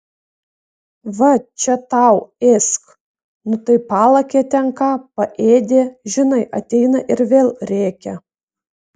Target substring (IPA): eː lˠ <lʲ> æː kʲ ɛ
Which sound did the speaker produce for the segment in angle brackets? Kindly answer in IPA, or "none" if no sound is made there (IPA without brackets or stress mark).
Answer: ɾʲ